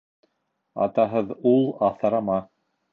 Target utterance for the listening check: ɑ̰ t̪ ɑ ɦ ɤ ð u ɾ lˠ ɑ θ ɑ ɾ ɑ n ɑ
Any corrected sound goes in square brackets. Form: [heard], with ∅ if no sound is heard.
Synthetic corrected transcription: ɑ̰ t̪ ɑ ɦ ɤ ð u [∅] lˠ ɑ θ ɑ ɾ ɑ [m] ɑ